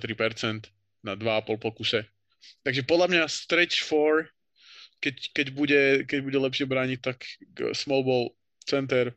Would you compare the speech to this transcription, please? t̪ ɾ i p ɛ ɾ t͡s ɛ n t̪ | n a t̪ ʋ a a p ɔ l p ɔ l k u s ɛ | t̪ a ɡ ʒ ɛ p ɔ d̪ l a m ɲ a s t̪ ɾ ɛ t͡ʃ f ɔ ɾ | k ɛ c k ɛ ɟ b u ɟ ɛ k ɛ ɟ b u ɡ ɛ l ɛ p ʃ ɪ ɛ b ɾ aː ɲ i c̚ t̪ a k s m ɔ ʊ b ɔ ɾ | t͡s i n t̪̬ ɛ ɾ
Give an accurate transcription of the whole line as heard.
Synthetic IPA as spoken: t̪ ɾ i p ɛ ɾ t͡s ɛ n t̪ | n a d̪ ʋ a a p ɔ l p ɔ l k u s ɛ | t̪ a ɡ ʒ ɛ p ɔ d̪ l a m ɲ a s t̪ ɾ ɛ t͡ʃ f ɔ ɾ | k ɛ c k ɛ ɟ b u ɟ ɛ k ɛ ɟ b u ɟ ɛ l ɛ p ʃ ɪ ɛ b ɾ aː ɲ i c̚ t̪ a k s m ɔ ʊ b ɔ l | t͡s ɛ n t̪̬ ɛ ɾ